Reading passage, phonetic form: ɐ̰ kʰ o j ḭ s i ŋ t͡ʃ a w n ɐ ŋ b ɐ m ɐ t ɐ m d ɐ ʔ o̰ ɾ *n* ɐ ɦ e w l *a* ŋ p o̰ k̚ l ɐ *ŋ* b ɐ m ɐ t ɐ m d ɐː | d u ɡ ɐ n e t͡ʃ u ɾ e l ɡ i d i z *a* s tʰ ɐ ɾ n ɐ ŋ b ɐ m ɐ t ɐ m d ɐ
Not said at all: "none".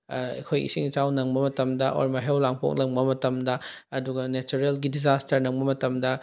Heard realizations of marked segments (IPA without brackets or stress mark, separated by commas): m, a, ŋ, a